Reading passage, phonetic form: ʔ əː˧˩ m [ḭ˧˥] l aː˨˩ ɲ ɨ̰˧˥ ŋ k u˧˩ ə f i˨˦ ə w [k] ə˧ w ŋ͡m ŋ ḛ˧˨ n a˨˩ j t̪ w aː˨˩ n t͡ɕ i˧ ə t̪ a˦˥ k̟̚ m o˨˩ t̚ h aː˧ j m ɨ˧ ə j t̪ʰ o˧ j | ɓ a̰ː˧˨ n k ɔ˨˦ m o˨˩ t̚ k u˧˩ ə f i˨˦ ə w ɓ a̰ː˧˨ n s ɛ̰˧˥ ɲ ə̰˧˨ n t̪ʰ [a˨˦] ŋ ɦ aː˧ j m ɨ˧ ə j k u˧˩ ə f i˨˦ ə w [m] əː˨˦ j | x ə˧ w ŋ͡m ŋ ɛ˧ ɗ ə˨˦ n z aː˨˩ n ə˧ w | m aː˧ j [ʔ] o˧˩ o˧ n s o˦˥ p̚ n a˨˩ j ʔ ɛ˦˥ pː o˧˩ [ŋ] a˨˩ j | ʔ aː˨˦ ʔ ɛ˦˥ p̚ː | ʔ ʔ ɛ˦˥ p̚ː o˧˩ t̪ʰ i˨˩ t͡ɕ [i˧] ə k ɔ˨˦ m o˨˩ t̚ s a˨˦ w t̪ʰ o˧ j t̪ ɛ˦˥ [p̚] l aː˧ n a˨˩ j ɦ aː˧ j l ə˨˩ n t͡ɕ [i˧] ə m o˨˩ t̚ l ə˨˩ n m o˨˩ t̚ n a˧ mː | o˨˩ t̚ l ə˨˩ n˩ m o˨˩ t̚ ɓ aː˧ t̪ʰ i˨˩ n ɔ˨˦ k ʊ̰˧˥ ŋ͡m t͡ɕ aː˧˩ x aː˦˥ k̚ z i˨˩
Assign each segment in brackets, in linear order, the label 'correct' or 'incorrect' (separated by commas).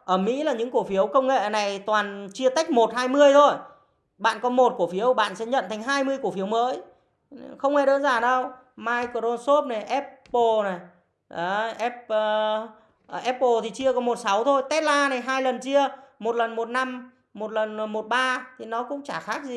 correct, correct, incorrect, correct, incorrect, incorrect, correct, incorrect, correct